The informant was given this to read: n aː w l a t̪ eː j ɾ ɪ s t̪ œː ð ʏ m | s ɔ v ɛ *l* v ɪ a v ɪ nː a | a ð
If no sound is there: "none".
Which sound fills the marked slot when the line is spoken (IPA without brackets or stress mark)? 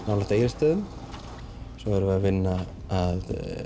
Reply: ɾ